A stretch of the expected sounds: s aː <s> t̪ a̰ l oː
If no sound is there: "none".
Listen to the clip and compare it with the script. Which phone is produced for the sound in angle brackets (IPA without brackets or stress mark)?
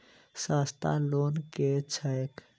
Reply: s